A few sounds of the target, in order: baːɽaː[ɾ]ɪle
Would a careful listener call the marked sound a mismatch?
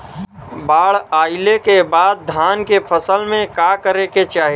yes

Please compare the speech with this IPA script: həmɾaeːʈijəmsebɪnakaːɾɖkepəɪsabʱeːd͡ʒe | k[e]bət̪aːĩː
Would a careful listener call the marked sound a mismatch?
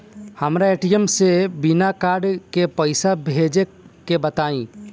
no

